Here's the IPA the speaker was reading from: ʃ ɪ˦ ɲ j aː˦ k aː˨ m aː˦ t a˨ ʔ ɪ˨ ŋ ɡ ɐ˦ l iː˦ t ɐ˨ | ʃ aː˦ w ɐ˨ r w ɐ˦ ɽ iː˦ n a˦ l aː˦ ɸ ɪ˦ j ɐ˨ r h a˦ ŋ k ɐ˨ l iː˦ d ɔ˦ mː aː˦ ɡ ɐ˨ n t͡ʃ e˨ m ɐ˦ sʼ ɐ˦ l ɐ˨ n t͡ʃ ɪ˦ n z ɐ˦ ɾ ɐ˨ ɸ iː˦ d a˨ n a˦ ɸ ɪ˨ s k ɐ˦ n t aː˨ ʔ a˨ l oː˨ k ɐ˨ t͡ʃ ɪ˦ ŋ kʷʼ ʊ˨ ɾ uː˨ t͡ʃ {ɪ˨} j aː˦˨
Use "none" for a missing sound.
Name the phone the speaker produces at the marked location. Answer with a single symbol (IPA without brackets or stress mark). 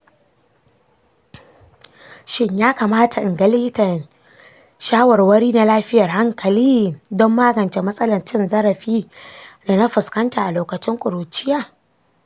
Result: ɪ˦